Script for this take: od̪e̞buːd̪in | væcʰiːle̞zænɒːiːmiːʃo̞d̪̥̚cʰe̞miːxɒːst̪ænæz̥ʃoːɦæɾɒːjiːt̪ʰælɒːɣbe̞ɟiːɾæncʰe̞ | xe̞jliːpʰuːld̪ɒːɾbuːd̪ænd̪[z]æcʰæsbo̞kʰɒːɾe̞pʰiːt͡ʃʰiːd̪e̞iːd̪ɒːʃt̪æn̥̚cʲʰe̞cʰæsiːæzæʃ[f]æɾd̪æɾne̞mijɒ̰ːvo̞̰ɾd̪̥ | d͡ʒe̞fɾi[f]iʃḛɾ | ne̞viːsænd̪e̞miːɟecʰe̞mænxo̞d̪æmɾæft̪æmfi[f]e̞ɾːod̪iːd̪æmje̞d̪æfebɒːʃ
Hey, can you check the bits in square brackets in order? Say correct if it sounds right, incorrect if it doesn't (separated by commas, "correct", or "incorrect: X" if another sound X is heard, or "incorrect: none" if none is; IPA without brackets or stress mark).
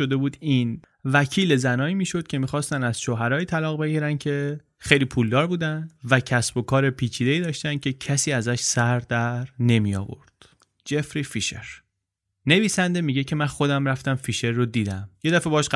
incorrect: v, incorrect: s, correct, incorrect: ʃ